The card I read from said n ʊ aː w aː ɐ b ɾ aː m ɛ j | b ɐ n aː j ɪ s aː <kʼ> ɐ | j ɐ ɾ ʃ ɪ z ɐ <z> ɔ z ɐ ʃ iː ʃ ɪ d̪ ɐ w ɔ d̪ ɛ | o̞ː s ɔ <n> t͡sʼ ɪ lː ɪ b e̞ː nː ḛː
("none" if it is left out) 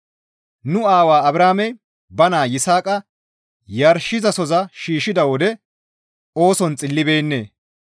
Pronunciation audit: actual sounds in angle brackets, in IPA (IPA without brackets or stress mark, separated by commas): kʼ, s, n